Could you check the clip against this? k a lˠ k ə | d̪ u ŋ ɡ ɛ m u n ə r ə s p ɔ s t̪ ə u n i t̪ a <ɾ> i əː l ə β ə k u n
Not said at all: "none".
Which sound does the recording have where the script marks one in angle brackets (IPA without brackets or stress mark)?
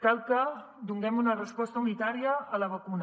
ɾ